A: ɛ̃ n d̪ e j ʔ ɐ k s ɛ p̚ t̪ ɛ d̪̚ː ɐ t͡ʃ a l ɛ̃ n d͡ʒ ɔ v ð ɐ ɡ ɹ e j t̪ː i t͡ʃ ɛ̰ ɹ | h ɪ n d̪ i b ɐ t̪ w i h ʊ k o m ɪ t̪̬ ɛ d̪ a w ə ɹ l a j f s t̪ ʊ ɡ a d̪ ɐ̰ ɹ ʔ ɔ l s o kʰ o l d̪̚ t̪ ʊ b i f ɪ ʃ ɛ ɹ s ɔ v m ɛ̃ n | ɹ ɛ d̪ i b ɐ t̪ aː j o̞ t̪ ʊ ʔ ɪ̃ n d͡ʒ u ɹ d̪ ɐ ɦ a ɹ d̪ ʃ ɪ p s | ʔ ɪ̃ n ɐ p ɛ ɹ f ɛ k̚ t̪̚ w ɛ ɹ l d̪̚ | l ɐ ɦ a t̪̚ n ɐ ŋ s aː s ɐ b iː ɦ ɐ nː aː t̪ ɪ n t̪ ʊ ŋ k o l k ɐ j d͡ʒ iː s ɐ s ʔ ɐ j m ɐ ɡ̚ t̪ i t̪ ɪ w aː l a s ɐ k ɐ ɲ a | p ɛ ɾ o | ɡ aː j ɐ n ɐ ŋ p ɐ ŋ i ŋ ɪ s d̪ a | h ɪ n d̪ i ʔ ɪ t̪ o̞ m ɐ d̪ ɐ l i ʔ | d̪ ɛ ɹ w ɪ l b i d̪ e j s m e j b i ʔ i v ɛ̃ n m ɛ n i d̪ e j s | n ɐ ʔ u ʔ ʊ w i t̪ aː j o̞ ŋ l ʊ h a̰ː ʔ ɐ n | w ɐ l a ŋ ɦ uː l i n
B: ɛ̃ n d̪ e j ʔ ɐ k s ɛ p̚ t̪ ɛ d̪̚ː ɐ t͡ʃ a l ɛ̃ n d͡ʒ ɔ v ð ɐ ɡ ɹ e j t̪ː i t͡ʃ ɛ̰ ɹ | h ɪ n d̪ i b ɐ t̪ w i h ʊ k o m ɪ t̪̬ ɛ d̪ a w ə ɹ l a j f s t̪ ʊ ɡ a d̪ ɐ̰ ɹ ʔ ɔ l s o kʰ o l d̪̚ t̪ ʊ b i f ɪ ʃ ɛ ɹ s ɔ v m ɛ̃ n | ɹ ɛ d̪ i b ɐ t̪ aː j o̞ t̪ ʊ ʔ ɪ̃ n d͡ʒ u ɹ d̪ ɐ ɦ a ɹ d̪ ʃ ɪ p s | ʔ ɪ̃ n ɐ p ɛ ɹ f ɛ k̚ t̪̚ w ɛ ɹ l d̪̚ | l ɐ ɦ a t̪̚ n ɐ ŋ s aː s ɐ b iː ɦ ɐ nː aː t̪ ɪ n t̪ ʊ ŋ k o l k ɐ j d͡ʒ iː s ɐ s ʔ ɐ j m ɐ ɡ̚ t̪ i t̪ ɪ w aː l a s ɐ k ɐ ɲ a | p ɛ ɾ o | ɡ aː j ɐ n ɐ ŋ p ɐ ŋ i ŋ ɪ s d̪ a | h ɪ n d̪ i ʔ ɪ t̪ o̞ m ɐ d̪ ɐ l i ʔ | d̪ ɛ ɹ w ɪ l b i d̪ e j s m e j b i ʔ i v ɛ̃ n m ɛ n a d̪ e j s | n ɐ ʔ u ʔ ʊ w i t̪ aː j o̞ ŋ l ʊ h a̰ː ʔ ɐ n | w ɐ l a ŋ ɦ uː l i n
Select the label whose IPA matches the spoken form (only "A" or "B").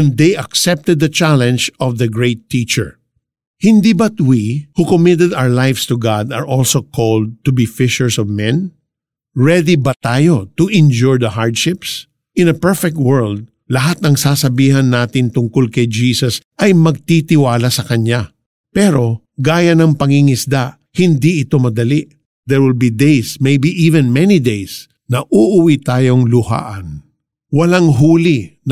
A